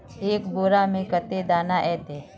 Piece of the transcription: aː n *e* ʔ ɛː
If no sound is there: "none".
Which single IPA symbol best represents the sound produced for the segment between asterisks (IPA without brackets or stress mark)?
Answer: a